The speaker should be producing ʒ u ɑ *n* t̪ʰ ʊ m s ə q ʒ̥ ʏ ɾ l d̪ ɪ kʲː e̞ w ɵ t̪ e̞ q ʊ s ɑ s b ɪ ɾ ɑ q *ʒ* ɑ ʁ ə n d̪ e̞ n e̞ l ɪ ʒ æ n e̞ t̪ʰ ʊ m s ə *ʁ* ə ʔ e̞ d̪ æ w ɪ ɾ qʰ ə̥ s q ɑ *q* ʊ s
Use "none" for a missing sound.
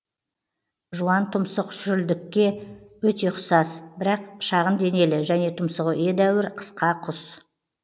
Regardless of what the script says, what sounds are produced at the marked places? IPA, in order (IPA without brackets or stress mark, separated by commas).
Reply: n, ʃ, ʁ, qʰ